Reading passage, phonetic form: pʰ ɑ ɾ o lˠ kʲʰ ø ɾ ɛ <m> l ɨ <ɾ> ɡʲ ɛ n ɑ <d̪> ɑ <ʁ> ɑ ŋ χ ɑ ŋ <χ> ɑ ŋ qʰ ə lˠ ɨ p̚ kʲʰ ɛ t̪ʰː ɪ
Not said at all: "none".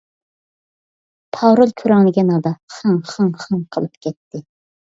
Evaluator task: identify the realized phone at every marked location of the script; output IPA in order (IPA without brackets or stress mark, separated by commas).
ŋ, none, d̪, χ, χ